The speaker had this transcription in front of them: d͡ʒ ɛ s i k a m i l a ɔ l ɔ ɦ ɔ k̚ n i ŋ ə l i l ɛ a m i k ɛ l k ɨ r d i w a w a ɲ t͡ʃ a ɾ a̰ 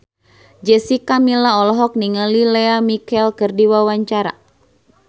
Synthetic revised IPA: d͡ʒ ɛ s i k a m i l a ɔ l ɔ ɦ ɔ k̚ n i ŋ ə l i l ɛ a m i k ɛ l k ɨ r d i w a w a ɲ t͡ʃ a ɾ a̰